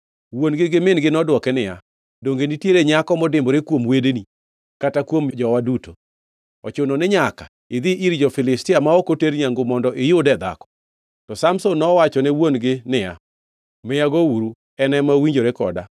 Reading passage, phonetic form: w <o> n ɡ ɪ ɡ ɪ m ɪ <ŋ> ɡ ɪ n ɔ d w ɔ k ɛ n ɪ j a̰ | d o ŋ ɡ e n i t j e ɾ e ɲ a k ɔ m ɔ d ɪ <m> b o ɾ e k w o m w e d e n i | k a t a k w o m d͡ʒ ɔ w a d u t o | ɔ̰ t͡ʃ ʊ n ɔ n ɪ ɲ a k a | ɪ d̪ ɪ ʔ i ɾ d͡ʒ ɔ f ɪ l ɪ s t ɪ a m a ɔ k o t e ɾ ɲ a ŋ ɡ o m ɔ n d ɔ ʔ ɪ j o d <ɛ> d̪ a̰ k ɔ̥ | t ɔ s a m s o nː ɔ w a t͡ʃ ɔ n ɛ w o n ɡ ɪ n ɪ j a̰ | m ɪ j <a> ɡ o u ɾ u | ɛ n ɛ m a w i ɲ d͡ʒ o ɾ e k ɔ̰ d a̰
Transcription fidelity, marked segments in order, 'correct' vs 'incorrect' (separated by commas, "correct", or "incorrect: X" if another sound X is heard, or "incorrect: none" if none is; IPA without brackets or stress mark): correct, incorrect: n, correct, correct, correct